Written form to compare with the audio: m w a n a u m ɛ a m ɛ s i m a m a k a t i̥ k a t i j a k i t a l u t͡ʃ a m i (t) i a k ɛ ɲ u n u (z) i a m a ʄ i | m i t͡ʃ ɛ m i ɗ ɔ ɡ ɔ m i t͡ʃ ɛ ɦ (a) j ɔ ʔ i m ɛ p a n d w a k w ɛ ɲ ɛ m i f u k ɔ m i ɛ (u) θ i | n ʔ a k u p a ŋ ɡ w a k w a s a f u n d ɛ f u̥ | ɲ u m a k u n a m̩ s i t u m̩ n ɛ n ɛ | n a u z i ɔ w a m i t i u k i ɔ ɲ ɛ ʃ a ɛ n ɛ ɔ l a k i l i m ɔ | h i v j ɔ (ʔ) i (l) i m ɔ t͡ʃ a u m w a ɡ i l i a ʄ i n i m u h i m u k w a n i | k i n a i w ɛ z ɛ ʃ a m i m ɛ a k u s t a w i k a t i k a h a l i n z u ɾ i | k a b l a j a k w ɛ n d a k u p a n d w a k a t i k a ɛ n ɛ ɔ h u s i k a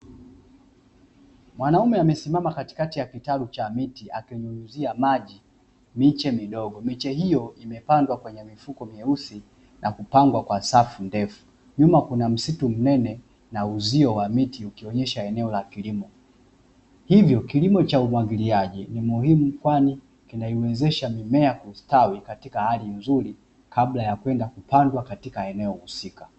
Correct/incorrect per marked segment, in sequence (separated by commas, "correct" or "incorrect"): correct, correct, incorrect, correct, incorrect, correct